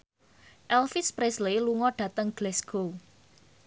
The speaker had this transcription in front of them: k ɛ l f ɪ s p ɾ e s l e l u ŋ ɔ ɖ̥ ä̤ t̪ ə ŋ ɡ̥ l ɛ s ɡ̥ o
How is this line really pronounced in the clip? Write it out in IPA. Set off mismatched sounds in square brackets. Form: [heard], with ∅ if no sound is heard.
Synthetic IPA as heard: [ʔ] ɛ l f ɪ s p ɾ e s l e l u ŋ ɔ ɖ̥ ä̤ t̪ ə ŋ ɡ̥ l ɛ s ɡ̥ o